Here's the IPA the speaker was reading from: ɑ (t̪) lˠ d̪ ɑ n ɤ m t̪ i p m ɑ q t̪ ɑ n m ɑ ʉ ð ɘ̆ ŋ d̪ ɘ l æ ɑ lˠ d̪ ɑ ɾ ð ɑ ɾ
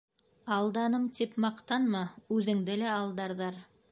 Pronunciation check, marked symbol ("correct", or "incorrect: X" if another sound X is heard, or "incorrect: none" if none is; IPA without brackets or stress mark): incorrect: none